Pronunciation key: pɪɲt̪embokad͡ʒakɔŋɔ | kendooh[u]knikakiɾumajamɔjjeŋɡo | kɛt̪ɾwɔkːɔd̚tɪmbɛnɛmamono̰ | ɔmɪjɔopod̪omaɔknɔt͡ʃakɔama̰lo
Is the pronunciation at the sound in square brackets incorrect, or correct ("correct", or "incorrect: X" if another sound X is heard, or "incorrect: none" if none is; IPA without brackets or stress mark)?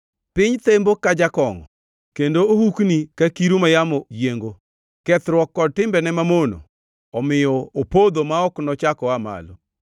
correct